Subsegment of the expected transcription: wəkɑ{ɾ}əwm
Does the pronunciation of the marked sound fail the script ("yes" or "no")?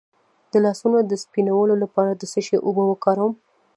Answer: no